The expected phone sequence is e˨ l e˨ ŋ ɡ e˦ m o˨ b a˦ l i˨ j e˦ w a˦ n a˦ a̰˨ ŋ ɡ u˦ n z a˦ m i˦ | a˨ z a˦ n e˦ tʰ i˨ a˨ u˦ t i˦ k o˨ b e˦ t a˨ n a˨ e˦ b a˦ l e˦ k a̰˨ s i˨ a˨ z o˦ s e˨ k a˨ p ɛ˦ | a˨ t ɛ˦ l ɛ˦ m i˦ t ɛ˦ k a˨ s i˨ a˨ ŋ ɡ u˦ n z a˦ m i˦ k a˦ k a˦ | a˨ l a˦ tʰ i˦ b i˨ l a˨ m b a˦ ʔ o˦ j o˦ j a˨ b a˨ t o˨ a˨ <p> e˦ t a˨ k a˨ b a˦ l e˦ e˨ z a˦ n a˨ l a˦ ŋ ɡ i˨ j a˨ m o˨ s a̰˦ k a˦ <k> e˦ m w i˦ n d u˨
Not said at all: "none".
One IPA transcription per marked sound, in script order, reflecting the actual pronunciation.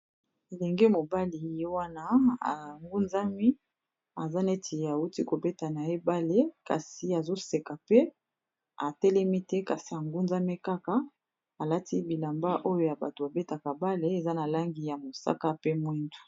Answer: b, p

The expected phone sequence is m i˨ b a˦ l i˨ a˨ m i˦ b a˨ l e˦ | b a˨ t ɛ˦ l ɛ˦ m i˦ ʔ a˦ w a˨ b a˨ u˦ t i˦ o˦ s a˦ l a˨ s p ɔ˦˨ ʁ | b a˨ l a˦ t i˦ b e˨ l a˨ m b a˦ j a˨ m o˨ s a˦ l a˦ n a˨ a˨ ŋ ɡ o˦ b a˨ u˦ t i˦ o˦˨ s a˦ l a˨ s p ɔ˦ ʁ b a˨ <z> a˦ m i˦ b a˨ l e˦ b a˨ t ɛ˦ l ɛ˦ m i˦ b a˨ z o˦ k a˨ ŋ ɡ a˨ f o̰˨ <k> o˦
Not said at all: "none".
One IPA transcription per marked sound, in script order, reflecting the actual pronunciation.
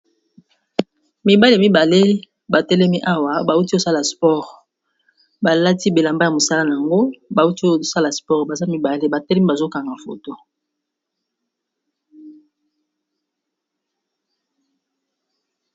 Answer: z, t

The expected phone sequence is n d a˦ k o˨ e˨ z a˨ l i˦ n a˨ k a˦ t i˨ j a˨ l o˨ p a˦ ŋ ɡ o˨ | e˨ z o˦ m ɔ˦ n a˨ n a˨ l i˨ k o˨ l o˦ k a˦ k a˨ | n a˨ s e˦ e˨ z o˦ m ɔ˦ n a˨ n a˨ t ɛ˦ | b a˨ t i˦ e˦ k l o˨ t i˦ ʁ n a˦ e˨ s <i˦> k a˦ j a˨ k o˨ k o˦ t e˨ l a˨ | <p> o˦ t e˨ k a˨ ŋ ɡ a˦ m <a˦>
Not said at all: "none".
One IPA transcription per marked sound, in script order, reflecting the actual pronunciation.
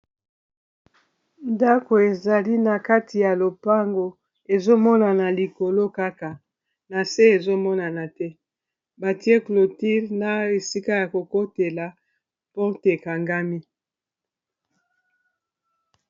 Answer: i˦, p, i˦

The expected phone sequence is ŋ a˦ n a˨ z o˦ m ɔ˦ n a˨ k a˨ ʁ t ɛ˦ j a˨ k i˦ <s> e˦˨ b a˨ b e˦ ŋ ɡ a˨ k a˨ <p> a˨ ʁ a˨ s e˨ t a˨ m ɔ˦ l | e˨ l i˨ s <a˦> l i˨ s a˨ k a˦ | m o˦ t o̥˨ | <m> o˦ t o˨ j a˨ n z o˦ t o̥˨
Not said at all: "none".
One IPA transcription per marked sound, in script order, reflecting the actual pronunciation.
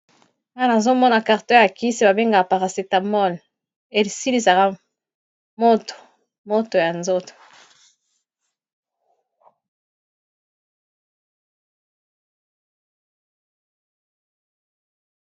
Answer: s, p, i˦, m

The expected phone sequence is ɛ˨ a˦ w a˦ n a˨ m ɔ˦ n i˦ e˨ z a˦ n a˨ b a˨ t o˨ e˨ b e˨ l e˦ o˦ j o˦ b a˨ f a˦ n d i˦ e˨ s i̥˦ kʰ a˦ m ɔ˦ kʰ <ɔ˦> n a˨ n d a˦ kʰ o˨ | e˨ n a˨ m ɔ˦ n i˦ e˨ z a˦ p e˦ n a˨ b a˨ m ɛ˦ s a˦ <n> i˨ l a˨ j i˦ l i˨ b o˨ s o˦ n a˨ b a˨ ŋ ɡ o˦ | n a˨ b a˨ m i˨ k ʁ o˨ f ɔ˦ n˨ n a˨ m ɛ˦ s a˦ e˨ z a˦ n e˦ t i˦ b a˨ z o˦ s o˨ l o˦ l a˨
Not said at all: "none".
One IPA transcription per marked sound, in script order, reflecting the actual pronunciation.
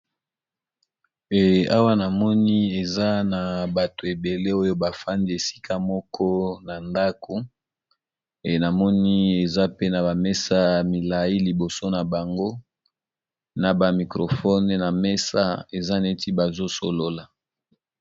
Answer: ɔ˦, m

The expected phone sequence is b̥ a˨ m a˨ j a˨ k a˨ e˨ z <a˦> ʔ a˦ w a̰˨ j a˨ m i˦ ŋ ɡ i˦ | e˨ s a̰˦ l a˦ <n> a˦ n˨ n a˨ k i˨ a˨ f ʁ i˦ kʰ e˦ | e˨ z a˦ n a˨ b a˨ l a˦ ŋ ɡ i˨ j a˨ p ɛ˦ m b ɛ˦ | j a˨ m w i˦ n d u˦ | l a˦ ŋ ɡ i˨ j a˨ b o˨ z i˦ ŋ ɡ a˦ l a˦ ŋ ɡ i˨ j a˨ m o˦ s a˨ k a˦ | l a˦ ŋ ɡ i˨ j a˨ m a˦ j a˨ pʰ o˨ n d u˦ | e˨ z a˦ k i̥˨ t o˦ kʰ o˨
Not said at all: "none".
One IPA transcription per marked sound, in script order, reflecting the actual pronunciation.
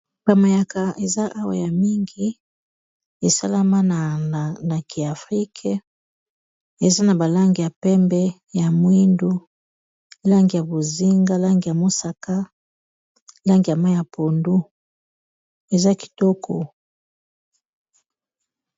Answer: a˦, m

